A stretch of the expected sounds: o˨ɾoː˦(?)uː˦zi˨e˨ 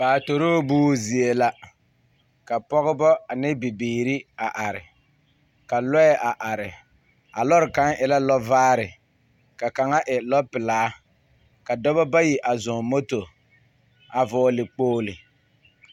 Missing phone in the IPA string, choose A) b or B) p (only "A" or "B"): A